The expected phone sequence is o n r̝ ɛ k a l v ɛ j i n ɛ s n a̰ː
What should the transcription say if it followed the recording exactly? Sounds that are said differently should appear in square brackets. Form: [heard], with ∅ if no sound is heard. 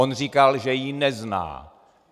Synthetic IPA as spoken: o n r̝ [i] k a l [ʒ] ɛ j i n ɛ [z] n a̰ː

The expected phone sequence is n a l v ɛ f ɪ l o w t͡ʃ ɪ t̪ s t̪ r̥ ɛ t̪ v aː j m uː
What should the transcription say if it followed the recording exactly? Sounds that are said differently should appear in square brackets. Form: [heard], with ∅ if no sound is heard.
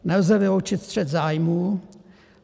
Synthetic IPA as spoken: n [ɛ] l [z] ɛ [v] ɪ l o w t͡ʃ ɪ t̪ s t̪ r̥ ɛ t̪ [z] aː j m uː

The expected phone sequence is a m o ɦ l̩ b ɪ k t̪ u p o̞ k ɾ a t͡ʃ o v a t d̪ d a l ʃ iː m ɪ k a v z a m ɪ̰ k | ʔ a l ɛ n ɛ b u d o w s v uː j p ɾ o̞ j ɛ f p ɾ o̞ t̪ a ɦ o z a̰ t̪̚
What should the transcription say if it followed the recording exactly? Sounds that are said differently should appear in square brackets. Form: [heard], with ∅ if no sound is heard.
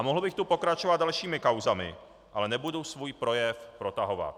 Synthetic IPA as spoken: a m o ɦ l̩ b ɪ [x] t̪ u p o̞ k ɾ a t͡ʃ o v a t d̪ d a l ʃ iː m ɪ k a [w] z a m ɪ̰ [∅] | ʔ a l ɛ n ɛ b u d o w s v uː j p ɾ o̞ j ɛ f p ɾ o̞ t̪ a ɦ o [v] a̰ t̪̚

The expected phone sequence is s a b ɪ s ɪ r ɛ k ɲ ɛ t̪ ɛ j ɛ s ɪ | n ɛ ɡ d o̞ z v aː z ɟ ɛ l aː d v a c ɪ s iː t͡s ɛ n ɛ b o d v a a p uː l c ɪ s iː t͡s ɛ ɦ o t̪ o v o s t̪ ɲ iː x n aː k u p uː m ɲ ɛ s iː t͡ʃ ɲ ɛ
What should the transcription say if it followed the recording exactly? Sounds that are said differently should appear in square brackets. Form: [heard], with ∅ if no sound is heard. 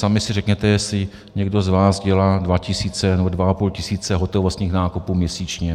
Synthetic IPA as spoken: s a [m] ɪ s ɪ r ɛ k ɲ ɛ t̪ ɛ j ɛ s ɪ | [ɲ] ɛ ɡ d o̞ z v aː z ɟ ɛ l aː d v a c ɪ s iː t͡s ɛ n ɛ b o d v a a p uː l c ɪ s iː t͡s ɛ ɦ o t̪ o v o s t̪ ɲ iː x n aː k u p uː m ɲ ɛ s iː t͡ʃ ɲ ɛ

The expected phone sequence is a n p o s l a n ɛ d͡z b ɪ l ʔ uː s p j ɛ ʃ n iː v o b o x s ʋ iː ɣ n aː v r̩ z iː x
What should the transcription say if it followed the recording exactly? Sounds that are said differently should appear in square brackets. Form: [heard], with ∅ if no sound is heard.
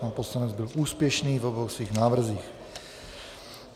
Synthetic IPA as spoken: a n p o s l a n ɛ d͡z b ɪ l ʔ uː s p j ɛ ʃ n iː v o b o x s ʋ iː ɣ n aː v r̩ z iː x

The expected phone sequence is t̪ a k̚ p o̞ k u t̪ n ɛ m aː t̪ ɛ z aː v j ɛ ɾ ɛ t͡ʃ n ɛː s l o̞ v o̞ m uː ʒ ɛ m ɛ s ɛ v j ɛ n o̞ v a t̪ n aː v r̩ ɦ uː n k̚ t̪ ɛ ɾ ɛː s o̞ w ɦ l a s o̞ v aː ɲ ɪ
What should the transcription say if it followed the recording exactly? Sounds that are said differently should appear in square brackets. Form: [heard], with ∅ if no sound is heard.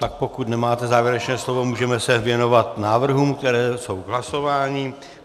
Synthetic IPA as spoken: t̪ a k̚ p o̞ k u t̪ n ɛ m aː t̪ ɛ z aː v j ɛ ɾ ɛ t͡ʃ n ɛː s l o̞ v o̞ m uː ʒ ɛ m ɛ s ɛ v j ɛ n o̞ v a t̪ n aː v r̩ ɦ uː [m] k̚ t̪ ɛ ɾ ɛː s o̞ w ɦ l a s o̞ v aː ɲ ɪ

